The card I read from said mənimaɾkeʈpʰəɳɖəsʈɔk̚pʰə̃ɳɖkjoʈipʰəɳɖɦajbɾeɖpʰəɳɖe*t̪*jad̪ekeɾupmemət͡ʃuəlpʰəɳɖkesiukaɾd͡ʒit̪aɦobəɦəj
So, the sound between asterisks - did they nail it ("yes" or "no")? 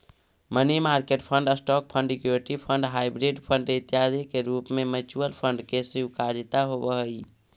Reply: yes